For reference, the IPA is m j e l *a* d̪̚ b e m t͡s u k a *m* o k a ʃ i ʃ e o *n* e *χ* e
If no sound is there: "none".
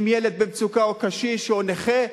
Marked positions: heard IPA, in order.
e, none, n, χ

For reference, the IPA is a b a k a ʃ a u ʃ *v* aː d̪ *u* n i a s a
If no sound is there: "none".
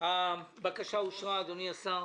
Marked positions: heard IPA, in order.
ʁ, o

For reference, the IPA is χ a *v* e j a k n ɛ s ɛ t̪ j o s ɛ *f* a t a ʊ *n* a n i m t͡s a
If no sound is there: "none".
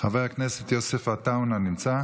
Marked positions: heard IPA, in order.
v, f, n

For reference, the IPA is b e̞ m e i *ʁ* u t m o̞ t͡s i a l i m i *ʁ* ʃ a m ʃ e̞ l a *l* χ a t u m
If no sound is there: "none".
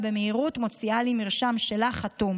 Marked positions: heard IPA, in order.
ʁ, ʁ, none

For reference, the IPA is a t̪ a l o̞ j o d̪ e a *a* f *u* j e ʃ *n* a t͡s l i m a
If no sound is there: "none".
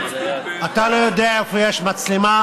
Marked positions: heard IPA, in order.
e, o, m

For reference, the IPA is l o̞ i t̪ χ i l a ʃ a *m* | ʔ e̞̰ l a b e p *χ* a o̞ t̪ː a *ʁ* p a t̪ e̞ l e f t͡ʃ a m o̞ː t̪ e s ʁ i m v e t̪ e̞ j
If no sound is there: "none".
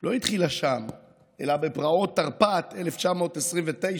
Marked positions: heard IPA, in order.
m, ʁ, ʁ

